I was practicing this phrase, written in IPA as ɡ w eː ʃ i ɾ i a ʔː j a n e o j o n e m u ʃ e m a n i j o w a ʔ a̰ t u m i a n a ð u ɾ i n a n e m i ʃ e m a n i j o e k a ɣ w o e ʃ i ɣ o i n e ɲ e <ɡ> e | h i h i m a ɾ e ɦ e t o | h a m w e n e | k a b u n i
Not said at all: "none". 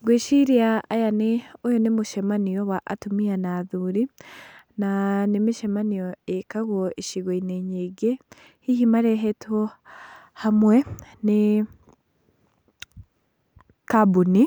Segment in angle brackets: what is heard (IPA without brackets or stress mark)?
ɡ